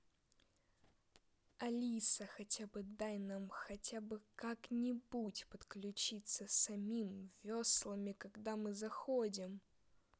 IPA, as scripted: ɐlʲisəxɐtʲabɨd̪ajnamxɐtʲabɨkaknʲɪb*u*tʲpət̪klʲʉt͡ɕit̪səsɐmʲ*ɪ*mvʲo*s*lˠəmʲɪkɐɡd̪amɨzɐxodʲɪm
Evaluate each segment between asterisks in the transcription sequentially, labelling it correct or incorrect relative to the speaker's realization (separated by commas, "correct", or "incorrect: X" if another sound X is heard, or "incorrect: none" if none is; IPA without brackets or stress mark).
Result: correct, incorrect: i, correct